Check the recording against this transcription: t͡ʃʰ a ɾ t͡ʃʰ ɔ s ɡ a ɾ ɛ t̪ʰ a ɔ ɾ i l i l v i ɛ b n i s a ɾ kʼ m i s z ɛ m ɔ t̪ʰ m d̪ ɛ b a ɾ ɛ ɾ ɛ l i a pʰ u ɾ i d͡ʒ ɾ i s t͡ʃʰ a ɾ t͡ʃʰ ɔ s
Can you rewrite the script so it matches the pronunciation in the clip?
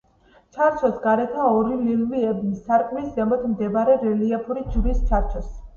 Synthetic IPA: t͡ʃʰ a ɾ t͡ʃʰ ɔ s ɡ a ɾ ɛ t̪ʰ a ɔ ɾ i l i l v i ɛ b n i s a ɾ kʼ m i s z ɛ m ɔ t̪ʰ m d̪ ɛ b a ɾ ɛ ɾ ɛ l i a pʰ u ɾ i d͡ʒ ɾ i s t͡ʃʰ a ɾ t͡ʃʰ ɔ s